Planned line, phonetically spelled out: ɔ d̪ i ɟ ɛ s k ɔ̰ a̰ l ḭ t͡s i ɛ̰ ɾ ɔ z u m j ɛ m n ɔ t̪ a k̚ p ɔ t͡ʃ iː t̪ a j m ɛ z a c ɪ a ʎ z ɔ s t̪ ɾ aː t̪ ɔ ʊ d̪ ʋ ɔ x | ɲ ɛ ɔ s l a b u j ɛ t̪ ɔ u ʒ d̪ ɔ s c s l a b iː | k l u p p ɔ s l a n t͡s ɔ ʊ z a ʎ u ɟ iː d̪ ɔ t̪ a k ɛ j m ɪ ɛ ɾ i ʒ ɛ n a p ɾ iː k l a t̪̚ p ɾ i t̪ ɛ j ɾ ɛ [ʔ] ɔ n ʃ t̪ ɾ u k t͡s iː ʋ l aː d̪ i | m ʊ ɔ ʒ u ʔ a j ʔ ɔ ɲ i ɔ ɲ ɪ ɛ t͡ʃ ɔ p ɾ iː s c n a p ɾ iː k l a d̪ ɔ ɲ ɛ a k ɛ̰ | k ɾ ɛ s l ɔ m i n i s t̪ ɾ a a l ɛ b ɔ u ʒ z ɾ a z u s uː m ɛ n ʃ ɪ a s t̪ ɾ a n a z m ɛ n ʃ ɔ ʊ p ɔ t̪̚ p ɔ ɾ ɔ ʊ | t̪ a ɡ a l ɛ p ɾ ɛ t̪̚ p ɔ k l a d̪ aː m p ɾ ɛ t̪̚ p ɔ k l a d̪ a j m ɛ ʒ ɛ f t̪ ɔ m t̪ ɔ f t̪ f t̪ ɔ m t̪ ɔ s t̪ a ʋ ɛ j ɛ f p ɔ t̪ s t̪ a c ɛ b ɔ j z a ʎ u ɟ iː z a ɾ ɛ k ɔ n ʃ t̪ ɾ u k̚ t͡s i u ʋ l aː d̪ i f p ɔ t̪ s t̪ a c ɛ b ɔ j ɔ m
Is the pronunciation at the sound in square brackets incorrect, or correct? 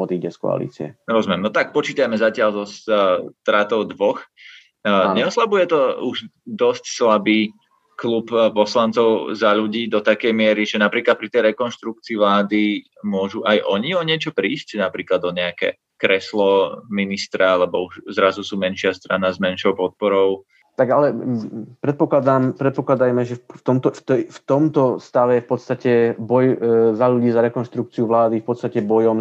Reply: incorrect